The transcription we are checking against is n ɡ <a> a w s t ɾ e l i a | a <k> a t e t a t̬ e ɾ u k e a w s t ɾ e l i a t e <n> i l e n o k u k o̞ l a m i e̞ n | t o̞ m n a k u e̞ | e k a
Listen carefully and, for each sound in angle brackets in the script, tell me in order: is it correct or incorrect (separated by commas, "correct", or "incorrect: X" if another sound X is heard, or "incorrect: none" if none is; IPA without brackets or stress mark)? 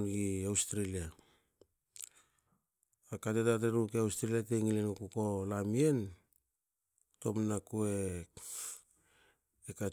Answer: incorrect: i, correct, incorrect: ŋ